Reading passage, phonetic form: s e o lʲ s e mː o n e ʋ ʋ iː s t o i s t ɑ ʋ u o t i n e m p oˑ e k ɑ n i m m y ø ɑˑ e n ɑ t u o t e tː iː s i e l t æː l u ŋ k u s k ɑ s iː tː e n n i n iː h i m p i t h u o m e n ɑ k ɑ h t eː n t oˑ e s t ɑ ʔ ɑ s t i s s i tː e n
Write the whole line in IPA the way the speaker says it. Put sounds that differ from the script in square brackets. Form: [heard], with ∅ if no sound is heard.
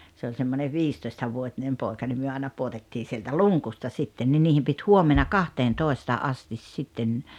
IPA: s e o lʲ s e mː o n e ʋ ʋ iː s t o i s t ɑ ʋ u o t i n e m p oˑ e k ɑ n i m m y ø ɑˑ e n ɑ [p] u o t e tː iː s i e l t [æ] l u ŋ k u s [t] ɑ s [i] tː e n n i n iː h i m p i t h u o m e n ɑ k ɑ h t eː n t oˑ e s t ɑ ʔ ɑ s t i s s i tː e n